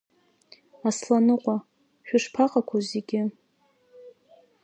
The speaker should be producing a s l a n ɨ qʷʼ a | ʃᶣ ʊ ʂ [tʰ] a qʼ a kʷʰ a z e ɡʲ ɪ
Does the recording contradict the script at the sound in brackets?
yes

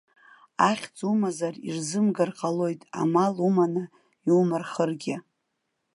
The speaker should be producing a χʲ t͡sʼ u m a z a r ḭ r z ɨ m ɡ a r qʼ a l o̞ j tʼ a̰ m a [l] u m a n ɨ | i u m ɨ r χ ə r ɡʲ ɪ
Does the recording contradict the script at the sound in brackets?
no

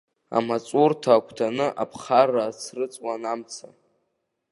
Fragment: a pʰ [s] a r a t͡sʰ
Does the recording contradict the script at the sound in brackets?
yes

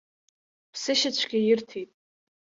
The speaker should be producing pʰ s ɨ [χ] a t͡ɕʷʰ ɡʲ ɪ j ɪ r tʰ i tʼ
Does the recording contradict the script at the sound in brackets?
yes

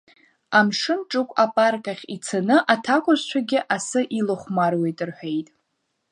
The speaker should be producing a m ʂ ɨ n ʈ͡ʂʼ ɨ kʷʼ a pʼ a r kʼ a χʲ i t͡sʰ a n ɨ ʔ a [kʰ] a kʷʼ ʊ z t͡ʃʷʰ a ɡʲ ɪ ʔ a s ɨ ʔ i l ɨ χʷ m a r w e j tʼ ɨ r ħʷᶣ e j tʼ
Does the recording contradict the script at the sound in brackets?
yes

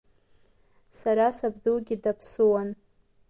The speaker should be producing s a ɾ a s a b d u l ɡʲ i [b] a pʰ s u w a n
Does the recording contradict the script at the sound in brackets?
yes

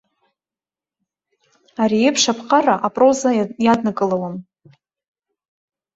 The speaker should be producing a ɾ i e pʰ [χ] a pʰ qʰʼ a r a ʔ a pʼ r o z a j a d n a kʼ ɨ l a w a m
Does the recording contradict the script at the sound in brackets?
yes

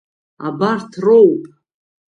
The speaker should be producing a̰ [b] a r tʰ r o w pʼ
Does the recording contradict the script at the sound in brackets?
no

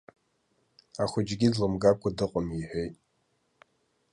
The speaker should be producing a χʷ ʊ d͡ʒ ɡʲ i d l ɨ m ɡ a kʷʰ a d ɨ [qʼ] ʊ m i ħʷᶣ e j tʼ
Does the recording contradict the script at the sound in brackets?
no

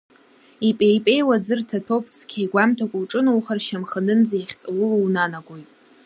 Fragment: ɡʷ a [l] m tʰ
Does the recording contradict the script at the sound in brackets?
yes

